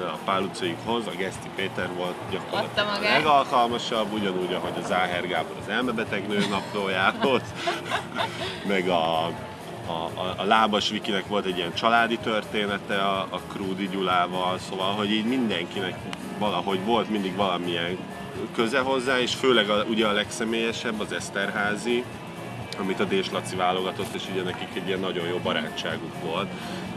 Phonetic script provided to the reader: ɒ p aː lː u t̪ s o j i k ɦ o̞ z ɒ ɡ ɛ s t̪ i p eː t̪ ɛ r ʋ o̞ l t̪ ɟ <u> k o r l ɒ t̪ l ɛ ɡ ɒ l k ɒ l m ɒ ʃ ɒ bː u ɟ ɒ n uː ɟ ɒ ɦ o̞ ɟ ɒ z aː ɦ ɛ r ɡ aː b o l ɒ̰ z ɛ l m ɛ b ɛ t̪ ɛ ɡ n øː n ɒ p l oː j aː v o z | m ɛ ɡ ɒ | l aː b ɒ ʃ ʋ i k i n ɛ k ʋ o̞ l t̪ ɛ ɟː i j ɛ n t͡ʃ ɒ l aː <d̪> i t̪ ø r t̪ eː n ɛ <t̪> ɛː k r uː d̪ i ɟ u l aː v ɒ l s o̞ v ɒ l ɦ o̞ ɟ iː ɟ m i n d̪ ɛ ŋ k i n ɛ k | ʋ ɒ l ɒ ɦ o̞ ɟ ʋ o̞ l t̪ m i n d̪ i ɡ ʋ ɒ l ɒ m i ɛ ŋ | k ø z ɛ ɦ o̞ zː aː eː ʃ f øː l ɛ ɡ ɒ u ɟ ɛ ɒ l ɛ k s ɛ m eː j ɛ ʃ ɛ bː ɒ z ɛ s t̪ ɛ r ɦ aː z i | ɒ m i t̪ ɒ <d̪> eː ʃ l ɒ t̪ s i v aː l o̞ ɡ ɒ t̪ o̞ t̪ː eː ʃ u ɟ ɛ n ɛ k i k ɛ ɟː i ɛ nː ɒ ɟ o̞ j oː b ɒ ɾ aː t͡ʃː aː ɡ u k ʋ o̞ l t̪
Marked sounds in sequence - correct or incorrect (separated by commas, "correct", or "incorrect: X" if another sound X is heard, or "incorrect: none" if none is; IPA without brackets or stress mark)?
incorrect: ɒ, correct, correct, correct